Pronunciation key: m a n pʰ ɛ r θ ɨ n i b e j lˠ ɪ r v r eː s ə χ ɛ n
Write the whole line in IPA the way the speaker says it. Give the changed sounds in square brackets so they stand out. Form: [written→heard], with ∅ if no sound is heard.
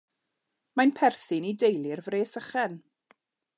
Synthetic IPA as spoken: m a n pʰ ɛ r θ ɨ n i [b→d] e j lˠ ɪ r v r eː s ə χ ɛ n